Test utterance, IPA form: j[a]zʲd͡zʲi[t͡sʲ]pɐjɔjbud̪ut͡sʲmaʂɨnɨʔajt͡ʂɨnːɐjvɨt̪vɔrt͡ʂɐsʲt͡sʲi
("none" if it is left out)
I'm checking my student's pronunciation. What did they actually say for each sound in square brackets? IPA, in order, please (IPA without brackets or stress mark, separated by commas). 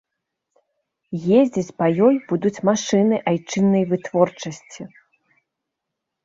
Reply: e, t͡sʲ